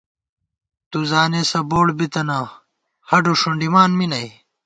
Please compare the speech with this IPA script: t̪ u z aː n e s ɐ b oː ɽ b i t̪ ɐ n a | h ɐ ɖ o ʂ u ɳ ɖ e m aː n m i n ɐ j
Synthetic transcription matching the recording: t̪ u z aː n e s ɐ b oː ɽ b i t̪ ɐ n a | h ɐ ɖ o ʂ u ɳ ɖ i m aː n m i n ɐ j